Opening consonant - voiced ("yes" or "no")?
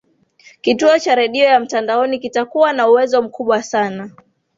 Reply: no